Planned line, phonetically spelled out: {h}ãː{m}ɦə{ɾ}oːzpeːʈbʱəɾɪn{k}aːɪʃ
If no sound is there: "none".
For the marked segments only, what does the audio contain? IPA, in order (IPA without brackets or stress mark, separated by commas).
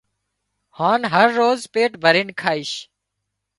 h, n, ɾː, kʰ